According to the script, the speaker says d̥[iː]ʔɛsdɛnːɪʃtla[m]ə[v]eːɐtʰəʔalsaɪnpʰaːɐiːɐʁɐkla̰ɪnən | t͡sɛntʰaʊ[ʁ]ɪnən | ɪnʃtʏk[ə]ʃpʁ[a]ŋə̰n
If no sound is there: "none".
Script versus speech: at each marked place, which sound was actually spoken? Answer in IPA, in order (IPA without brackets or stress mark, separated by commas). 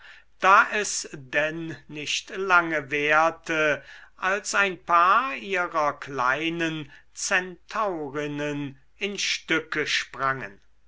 aː, ŋ, v, ʁ, ə, a